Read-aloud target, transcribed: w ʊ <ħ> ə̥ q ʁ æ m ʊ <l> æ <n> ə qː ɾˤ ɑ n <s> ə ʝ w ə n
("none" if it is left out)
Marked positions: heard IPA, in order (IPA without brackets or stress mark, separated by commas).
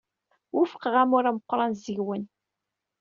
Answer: f, ɾ, m, z